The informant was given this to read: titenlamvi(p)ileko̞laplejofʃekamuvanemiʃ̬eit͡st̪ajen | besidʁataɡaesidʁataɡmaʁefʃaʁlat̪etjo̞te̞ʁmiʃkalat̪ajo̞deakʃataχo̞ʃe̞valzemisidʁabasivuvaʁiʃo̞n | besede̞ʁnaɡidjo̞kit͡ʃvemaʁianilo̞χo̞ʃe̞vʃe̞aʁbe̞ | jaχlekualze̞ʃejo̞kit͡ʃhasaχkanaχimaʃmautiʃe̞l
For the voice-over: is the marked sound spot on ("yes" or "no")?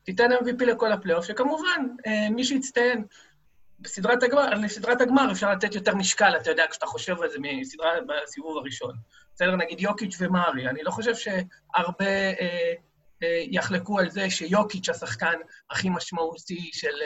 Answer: yes